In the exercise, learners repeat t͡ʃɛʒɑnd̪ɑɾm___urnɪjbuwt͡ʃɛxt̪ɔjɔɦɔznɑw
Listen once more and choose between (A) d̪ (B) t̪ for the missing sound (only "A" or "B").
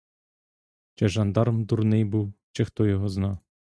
A